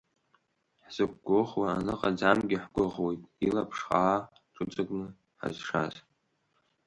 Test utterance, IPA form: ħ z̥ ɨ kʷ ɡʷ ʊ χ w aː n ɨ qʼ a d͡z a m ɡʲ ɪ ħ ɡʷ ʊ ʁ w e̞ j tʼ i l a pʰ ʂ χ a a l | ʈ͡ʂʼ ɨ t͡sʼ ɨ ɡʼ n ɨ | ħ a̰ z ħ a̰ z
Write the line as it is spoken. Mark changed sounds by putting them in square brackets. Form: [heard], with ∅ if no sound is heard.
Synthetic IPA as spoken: ħ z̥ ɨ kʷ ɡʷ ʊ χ w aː n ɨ qʼ a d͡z a m ɡʲ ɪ ħ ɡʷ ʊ ʁ w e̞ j tʼ i l a pʰ ʂ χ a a [∅] | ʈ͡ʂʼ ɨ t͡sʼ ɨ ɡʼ n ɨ | ħ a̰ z [ʂ] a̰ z